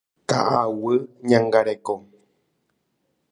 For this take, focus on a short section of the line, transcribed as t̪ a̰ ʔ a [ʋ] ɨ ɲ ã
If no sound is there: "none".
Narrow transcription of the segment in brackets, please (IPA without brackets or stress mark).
w